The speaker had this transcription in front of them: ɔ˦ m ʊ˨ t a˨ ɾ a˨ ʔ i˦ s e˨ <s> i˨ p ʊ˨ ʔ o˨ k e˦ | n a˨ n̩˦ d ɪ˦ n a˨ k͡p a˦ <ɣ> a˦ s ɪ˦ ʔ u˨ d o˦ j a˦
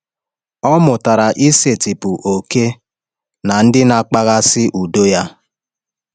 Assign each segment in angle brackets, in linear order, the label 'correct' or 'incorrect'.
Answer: incorrect: t, correct

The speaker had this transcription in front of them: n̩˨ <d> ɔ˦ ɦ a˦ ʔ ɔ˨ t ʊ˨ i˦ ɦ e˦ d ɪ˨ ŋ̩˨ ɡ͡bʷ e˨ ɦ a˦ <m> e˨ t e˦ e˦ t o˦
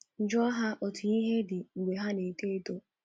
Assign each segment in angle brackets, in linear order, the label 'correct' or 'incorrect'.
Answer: incorrect: d͡ʒ, incorrect: n

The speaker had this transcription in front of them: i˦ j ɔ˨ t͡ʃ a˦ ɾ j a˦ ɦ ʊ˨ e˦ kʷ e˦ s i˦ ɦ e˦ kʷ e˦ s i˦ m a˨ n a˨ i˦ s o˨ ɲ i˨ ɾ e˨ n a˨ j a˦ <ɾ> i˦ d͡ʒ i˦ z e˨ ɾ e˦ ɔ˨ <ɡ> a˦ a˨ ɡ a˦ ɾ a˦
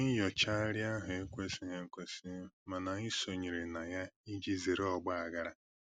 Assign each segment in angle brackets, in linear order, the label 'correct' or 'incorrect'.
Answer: incorrect: none, incorrect: ɡ͡b

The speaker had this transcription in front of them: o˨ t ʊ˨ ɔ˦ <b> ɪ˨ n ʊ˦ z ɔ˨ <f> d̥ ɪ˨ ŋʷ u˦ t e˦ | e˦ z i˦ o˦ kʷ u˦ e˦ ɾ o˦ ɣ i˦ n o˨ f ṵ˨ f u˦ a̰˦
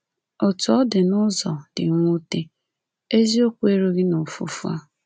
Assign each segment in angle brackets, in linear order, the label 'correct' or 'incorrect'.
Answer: incorrect: d, incorrect: none

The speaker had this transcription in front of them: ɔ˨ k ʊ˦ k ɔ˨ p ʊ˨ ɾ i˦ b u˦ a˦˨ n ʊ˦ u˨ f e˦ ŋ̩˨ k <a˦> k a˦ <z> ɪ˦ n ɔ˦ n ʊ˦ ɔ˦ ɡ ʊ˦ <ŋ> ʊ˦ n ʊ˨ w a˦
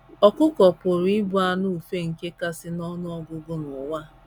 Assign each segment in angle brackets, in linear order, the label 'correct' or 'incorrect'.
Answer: incorrect: e˦, incorrect: s, incorrect: ɡ

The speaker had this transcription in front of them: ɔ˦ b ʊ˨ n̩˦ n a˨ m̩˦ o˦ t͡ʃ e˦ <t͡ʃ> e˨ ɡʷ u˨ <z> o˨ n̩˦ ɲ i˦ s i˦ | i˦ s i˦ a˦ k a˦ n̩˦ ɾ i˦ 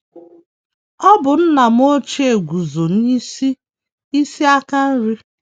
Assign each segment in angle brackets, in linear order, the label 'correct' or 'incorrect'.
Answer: incorrect: none, correct

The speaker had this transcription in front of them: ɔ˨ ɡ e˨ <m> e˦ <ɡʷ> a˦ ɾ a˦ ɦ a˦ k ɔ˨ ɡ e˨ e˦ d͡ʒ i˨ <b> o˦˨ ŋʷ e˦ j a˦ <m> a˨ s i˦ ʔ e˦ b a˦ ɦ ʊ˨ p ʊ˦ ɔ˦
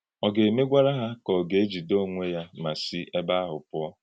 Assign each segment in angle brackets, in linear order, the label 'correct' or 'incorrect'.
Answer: correct, correct, incorrect: d, correct

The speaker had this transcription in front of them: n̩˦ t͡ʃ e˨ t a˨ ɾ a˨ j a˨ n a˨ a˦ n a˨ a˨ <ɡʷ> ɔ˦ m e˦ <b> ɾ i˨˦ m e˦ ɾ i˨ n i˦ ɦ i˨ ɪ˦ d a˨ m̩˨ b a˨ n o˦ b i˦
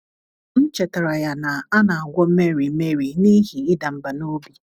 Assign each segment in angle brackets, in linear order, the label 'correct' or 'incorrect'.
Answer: correct, incorrect: none

